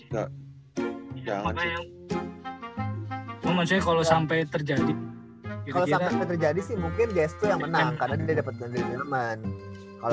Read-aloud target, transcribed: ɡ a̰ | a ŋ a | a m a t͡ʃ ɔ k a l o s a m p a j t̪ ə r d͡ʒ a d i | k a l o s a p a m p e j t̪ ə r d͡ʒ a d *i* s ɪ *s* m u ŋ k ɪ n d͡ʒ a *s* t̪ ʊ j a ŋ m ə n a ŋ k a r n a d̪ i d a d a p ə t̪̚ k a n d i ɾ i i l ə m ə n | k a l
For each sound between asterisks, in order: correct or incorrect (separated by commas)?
correct, incorrect, correct